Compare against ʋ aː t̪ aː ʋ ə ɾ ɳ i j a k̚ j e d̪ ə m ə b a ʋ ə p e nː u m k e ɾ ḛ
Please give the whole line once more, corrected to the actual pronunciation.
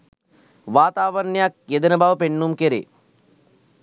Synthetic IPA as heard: ʋ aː t̪ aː ʋ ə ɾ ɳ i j a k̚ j e d̪ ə n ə b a ʋ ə p e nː u m k e ɾ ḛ